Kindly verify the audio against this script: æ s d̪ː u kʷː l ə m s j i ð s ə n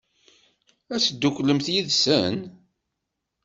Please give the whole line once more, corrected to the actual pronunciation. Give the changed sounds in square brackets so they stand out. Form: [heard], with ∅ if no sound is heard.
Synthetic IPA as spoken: æ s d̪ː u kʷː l ə m [θ] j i ð s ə n